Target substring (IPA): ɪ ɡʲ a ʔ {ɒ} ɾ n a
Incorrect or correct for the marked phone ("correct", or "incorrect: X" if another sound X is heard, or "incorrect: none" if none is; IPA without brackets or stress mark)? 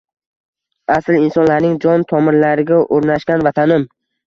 incorrect: o